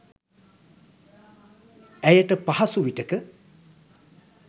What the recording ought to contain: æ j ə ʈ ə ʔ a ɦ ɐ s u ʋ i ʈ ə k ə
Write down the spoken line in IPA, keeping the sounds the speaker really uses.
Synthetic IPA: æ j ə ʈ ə p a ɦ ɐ s u ʋ i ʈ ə k ə